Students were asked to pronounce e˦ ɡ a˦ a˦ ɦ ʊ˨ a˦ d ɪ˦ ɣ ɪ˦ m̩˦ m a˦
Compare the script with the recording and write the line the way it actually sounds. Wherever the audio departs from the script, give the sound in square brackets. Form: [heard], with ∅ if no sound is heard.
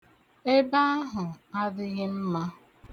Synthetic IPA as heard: e˦ [b] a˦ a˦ ɦ ʊ˨ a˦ d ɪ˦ ɣ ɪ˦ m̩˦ m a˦